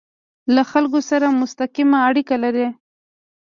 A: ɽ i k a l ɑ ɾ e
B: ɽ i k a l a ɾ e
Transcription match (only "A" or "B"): B